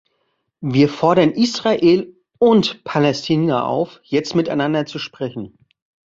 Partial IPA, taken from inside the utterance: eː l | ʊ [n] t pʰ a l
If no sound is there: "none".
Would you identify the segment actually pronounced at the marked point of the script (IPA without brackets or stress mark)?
n